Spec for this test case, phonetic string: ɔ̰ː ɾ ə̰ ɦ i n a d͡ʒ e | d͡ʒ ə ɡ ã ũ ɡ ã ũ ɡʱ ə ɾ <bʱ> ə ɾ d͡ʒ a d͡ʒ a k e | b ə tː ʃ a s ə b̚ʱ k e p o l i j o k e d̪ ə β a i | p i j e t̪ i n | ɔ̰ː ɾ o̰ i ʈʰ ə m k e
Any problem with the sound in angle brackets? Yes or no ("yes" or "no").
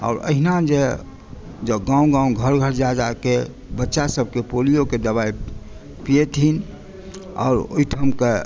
yes